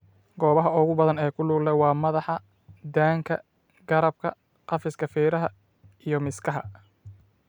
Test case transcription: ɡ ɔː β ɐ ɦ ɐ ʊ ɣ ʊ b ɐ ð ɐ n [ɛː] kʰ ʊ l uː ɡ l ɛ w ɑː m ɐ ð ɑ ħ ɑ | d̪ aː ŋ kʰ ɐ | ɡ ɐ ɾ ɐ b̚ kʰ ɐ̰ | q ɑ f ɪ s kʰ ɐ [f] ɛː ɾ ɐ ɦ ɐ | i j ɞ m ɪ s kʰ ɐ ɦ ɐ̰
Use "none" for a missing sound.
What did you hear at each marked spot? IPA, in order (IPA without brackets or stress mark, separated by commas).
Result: ɛː, f